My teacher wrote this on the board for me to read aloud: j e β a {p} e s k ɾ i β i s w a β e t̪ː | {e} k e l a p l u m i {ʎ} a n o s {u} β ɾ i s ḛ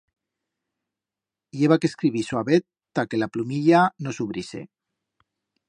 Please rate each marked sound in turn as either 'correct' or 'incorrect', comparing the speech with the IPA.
incorrect: k, incorrect: a, correct, correct

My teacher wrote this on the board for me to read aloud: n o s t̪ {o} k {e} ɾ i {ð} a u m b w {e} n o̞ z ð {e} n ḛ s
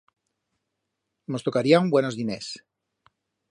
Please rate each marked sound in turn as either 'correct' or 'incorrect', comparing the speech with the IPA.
correct, incorrect: a, incorrect: none, correct, incorrect: i

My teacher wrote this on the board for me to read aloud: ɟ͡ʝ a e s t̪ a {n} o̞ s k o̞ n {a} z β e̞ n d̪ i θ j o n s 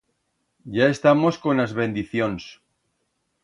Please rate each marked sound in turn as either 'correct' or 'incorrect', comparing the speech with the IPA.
incorrect: m, correct

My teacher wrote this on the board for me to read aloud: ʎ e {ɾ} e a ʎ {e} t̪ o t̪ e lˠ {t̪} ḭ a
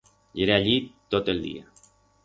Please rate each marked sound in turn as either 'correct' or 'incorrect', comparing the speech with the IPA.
correct, incorrect: i, incorrect: d̪

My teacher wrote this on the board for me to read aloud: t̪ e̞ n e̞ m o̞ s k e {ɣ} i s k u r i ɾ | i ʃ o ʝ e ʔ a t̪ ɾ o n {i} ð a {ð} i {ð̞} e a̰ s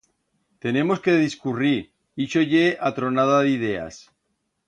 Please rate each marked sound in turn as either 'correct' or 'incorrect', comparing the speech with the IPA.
incorrect: ð, incorrect: a, correct, correct

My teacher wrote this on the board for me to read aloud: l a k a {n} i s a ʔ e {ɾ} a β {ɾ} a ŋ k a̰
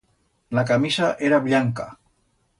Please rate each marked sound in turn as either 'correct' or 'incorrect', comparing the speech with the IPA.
incorrect: m, correct, incorrect: ʎ

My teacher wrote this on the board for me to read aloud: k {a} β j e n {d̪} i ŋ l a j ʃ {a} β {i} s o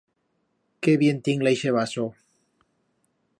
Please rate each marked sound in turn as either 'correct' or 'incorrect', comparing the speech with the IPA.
incorrect: e, incorrect: t̪, incorrect: e, incorrect: a

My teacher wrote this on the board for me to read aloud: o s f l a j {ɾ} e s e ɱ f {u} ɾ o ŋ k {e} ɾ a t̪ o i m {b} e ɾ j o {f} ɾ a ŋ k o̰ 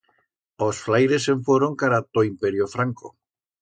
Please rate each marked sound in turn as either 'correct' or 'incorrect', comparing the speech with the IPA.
correct, incorrect: o, incorrect: a, incorrect: p, correct

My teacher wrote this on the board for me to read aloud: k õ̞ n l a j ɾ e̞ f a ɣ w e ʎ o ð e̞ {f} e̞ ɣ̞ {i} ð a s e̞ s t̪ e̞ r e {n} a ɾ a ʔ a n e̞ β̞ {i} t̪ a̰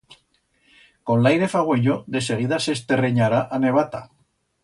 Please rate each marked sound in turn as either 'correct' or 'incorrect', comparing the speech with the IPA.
incorrect: s, correct, incorrect: ɲ, incorrect: a

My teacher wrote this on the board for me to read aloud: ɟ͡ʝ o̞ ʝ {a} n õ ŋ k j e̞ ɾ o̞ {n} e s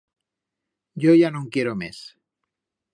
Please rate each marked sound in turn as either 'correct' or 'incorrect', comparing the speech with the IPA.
correct, incorrect: m

